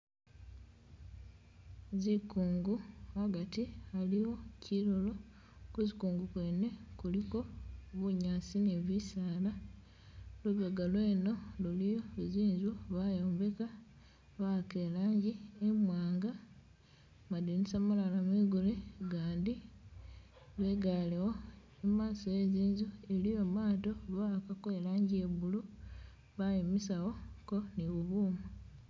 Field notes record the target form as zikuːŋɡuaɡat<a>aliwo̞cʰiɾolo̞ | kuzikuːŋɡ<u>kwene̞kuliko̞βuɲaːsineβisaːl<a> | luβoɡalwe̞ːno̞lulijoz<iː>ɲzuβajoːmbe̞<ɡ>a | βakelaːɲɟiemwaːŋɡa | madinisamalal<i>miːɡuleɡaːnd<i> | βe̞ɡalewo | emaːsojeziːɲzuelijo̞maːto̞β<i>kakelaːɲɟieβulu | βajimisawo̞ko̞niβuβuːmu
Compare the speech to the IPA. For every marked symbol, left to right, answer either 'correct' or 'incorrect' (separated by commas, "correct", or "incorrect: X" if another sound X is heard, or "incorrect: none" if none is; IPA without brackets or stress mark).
incorrect: i, correct, correct, correct, incorrect: k, incorrect: a, correct, incorrect: a